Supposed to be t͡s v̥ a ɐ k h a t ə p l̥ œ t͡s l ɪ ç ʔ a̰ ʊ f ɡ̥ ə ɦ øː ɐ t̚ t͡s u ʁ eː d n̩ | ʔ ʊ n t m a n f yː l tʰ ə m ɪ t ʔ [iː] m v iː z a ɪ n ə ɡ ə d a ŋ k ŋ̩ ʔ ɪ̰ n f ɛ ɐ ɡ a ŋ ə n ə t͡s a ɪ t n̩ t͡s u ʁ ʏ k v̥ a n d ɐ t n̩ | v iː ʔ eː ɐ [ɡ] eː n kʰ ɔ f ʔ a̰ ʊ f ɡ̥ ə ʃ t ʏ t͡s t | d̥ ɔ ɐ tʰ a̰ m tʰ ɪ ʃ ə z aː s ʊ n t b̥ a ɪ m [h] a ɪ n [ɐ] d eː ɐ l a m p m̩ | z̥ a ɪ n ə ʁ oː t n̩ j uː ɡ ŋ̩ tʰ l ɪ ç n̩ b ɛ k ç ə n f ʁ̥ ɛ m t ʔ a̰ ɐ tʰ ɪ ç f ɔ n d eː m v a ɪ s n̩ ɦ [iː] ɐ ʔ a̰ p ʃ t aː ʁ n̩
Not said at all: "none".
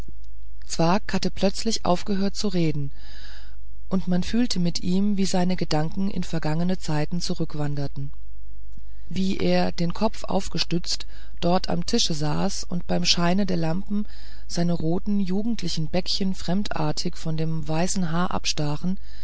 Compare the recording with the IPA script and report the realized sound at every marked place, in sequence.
iː, d, ʃ, ə, aː

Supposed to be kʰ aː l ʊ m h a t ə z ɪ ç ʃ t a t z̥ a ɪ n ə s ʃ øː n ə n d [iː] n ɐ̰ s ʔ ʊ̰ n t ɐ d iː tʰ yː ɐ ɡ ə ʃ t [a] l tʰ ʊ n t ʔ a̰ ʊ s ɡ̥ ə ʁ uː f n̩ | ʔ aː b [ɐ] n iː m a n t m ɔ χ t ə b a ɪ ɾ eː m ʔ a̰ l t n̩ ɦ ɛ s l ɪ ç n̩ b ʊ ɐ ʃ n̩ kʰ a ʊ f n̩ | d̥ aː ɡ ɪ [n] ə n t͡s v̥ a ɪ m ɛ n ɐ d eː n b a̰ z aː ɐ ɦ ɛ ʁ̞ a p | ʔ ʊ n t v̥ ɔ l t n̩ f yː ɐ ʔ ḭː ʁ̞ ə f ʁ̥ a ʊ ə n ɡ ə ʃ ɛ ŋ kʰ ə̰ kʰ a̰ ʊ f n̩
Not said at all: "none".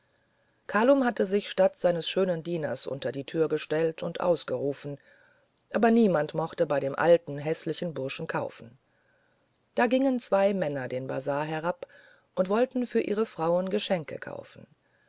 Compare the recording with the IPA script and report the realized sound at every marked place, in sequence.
iː, ɛ, ɐ, ŋ

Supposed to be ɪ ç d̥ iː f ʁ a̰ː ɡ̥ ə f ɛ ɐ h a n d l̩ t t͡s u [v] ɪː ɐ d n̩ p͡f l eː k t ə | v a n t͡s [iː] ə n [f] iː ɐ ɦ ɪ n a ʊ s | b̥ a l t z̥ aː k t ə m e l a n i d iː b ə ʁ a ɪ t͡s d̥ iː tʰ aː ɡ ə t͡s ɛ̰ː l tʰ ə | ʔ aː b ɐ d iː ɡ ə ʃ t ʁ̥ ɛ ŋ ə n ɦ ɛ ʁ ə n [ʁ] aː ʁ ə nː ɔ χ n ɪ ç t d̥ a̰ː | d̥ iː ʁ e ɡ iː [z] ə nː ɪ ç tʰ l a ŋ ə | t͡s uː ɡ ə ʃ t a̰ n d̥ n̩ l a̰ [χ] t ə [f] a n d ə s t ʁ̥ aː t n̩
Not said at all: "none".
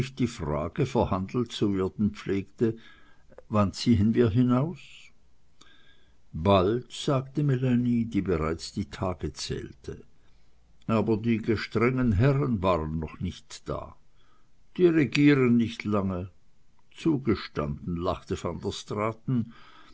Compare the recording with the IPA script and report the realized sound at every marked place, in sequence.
v, iː, v, v, ʁ, χ, f

